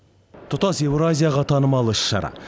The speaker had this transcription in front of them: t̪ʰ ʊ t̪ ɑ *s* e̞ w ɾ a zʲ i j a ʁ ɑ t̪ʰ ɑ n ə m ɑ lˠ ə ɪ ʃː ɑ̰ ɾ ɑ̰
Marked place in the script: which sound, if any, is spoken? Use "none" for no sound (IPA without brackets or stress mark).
s